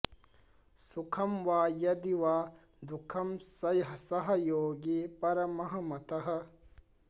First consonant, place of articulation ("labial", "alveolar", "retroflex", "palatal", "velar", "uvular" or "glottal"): alveolar